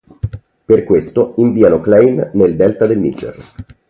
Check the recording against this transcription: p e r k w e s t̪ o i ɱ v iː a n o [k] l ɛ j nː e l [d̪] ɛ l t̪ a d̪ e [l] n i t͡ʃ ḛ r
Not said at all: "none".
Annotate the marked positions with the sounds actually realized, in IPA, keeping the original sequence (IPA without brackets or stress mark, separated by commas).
k, d̪, l